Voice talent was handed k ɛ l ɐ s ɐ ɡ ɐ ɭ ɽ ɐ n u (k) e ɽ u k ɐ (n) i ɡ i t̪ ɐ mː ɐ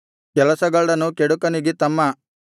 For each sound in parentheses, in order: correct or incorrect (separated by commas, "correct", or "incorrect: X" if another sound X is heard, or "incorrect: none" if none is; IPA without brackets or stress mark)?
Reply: correct, correct